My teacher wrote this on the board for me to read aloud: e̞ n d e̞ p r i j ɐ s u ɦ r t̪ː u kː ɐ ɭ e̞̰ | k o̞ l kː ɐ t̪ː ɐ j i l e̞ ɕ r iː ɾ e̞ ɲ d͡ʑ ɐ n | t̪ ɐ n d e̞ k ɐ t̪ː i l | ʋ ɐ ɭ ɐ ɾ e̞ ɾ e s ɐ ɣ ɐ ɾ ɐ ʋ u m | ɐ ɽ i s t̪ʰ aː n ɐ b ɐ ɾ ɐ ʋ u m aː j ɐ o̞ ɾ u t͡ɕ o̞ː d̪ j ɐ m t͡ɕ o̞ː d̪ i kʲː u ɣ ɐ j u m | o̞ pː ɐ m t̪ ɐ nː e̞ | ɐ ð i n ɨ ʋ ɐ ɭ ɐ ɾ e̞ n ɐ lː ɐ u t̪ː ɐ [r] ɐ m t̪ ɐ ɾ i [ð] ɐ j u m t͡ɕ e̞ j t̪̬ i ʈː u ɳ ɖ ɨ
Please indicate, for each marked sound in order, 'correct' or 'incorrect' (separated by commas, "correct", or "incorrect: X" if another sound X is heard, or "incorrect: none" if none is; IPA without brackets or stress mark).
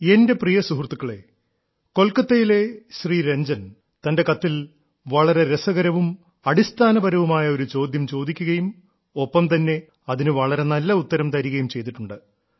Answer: incorrect: ɾ, incorrect: ɣ